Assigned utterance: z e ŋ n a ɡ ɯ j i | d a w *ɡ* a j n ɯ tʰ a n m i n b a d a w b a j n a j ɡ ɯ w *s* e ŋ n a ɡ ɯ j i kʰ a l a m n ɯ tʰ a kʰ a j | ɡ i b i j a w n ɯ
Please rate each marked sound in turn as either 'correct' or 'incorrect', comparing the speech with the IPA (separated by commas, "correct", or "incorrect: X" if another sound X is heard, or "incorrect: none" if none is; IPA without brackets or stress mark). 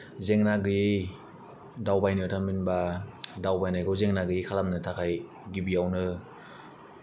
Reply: incorrect: b, incorrect: z